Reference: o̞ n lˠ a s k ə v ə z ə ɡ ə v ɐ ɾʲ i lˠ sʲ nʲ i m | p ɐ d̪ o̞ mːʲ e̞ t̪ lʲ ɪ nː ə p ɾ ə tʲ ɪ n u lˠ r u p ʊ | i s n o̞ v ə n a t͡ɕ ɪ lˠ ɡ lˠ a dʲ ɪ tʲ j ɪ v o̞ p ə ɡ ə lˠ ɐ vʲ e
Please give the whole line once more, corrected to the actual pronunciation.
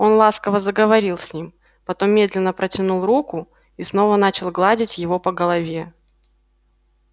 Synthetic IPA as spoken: o̞ n lˠ a s k ə v ə z ə ɡ ə v ɐ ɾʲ i lˠ sʲ nʲ i m | p ɐ t̪ o̞ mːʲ e̞ d̪ lʲ ɪ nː ə p ɾ ə tʲ ɪ n u lˠ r u k ʊ | i s n o̞ v ə n a t͡ɕ ɪ lˠ ɡ lˠ a dʲ ɪ tʲ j ɪ v o̞ p ə ɡ ə lˠ ɐ vʲ e

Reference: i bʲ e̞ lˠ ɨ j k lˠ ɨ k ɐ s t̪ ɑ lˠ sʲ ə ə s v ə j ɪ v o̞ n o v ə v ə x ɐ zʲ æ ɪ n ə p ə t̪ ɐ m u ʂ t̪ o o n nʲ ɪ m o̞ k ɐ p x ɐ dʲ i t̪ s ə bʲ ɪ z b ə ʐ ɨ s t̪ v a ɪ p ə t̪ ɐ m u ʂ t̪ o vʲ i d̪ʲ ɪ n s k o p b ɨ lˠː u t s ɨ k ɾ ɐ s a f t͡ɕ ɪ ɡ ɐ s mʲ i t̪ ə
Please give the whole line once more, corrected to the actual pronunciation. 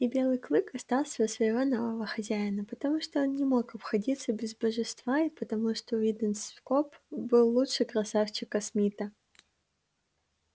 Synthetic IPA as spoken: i bʲ e̞ lˠ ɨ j k lˠ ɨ k ɐ s t̪ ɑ lˠ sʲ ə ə s v ə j ɪ v o̞ n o v ə v ə x ɐ zʲ æ ɪ n ə p ə t̪ ɐ m u ʂ t̪ o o n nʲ ɪ m o̞ k ɐ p x ɐ dʲ i t̪ s ə bʲ ɪ z b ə ʐ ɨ s t̪ v a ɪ p ə t̪ ɐ m u ʂ t̪ o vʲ i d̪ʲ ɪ n s k o p b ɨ lˠː u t ʂ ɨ k ɾ ɐ s a f t͡ɕ ɪ k ɐ s mʲ i t̪ ə

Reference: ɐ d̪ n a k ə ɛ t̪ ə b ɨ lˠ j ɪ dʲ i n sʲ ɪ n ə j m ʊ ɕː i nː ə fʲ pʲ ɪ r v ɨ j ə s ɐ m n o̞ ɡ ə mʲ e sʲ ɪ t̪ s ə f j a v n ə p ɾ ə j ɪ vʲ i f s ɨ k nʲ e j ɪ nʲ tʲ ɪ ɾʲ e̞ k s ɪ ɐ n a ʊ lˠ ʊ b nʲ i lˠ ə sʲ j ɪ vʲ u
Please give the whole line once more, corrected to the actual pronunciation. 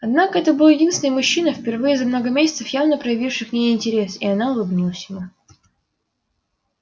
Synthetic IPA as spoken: ɐ d̪ n a k ə ɛ t̪ ə b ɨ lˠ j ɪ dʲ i n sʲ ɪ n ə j m ʊ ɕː i n ə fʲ pʲ ɪ r v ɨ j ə z ɐ m n o̞ ɡ ə mʲ e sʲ ɪ t̪ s ə f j a v n ə p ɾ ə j ɪ vʲ i f ʂ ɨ x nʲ e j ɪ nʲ tʲ ɪ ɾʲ e̞ s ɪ ɐ n a ʊ lˠ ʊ b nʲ i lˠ ə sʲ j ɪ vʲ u

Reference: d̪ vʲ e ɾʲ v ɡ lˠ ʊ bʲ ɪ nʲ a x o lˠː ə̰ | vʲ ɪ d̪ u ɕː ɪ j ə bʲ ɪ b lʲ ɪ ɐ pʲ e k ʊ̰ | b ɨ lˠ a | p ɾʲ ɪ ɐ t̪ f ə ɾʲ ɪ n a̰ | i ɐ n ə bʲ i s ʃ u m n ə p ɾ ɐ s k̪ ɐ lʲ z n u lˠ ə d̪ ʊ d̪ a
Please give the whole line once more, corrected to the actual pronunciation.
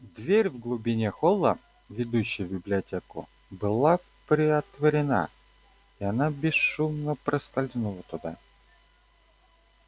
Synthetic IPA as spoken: d̪ vʲ e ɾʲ v ɡ lˠ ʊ bʲ ɪ nʲ e x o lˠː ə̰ | vʲ ɪ d̪ u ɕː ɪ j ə bʲ ɪ b lʲ ɪ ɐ tʲ e k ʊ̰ | b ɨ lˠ a | p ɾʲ ɪ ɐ t̪ v ə ɾʲ ɪ n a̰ | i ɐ n a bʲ ɪ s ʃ u m n ə p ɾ ə s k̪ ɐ lʲ z n u lˠ ə t̪ ʊ d̪ a

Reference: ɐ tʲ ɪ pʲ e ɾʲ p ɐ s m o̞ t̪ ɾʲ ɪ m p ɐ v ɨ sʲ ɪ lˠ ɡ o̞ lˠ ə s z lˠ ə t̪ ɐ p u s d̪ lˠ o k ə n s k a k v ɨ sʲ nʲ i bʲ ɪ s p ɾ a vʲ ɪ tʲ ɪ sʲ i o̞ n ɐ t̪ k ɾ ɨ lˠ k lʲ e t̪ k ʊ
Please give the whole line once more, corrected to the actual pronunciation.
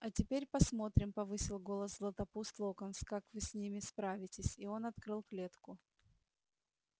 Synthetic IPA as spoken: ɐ tʲ ɪ pʲ e ɾʲ p ɐ s m o̞ t̪ ɾʲ ɪ m p ɐ v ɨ sʲ ɪ lˠ ɡ o̞ lˠ ə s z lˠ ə t̪ ɐ p u s t̪ lˠ o k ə n s k a k v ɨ sʲ nʲ i mʲ ɪ s p ɾ a vʲ ɪ tʲ ɪ sʲ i o̞ n ɐ t̪ k ɾ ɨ lˠ k lʲ e t̪ k ʊ

